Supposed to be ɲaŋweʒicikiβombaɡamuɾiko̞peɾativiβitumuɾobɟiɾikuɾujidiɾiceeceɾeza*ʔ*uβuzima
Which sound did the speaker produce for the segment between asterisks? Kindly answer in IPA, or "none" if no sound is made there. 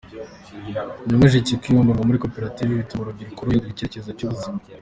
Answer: c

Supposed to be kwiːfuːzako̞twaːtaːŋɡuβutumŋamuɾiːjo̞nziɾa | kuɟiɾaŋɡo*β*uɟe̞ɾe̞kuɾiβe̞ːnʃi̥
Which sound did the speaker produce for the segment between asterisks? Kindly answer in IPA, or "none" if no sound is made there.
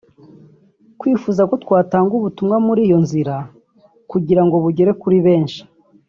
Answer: β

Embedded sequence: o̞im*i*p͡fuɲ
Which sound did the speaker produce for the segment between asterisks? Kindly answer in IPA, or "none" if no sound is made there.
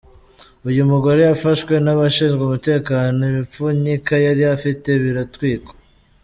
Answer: i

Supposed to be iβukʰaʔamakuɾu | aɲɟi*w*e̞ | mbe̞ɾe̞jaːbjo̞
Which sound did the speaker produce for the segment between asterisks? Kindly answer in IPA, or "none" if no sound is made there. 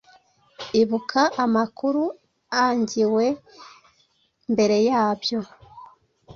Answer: w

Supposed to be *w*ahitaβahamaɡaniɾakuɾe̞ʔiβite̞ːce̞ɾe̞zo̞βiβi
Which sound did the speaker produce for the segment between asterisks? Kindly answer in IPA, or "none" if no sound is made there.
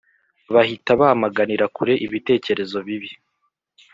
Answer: β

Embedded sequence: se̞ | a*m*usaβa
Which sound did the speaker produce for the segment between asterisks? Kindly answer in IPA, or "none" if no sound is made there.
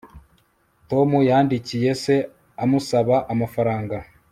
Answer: m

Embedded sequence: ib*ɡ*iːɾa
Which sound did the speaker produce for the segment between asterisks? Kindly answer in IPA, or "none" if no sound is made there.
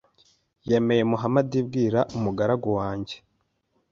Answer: ɡ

